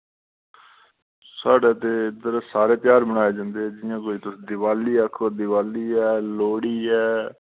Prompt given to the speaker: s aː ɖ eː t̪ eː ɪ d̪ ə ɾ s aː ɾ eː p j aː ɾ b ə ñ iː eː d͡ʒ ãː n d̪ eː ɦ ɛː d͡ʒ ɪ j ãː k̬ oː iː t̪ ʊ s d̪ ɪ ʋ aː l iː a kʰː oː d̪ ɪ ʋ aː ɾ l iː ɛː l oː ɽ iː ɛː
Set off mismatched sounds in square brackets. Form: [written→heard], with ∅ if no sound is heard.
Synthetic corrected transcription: s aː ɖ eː t̪ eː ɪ d̪ ə ɾ s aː ɾ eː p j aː ɾ b ə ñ [iː→aː] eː d͡ʒ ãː n d̪ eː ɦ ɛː d͡ʒ ɪ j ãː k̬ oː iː t̪ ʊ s d̪ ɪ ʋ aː l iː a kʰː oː d̪ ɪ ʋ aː [ɾ→∅] l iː ɛː l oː ɽ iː ɛː